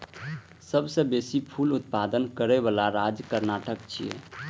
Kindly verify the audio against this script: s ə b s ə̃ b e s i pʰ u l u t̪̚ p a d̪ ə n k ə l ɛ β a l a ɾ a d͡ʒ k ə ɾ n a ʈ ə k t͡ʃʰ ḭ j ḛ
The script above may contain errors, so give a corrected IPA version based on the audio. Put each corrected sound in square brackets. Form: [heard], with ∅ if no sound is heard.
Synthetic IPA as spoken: s ə b s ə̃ b e s i pʰ u l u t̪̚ p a d̪ ə n k ə [ɾ] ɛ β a l a ɾ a d͡ʒ k ə ɾ n a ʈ ə k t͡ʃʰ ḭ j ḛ